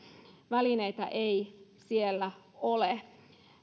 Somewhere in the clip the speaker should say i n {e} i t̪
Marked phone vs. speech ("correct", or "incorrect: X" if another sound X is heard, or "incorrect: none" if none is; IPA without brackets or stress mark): correct